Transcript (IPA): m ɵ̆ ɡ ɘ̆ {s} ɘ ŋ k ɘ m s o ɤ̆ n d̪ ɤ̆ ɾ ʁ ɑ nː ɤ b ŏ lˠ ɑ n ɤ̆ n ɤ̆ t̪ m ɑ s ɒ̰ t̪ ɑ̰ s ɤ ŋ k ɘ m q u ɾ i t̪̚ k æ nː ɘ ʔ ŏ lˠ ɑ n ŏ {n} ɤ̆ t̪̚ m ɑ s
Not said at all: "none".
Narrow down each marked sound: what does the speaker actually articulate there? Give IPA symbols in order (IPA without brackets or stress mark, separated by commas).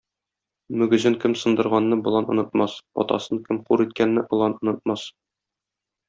z, n